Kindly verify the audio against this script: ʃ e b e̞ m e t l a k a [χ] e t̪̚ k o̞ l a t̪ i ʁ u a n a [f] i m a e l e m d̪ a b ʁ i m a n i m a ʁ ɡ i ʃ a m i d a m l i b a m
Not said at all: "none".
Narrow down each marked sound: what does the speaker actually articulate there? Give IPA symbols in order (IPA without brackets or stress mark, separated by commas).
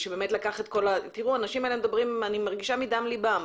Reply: χ, ʃ